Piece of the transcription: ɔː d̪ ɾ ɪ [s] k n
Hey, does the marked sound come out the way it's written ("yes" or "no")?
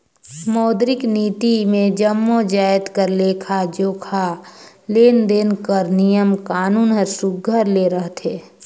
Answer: no